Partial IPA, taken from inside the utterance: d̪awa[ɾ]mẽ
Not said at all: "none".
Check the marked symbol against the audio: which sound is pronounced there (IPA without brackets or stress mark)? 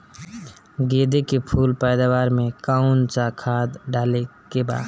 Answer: ɾ